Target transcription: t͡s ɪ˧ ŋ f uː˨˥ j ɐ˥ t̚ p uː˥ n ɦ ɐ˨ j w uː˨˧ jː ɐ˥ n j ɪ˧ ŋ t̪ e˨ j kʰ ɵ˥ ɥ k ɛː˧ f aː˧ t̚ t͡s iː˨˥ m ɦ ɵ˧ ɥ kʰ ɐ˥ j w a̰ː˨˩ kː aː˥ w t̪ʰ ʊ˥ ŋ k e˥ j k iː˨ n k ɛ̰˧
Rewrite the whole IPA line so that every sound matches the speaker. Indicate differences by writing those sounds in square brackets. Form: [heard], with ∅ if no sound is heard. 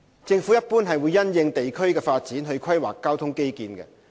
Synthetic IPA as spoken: t͡s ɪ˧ ŋ f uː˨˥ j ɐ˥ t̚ p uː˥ n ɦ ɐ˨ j w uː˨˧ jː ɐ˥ n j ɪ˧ ŋ t̪ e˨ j kʰ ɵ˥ ɥ k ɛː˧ f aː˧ t̚ t͡s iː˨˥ [n] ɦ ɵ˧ ɥ kʰ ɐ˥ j w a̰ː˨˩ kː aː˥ w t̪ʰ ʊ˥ ŋ k e˥ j k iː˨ n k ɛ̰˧